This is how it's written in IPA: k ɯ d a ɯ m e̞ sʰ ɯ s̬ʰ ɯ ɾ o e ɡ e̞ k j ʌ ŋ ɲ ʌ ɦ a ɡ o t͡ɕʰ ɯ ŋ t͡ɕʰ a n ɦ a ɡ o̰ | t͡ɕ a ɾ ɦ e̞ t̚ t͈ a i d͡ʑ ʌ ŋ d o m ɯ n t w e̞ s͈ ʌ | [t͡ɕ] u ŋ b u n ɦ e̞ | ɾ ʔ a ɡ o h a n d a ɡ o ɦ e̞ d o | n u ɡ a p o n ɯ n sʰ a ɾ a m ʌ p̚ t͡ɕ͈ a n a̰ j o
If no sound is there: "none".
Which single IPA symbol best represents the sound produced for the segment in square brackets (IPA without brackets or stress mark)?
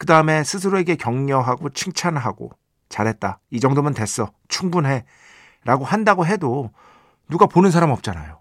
t͡ɕʰ